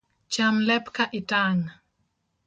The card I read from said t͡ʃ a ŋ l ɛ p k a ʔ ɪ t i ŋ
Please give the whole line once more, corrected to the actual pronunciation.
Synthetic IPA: t͡ʃ a m l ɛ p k a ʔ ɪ t a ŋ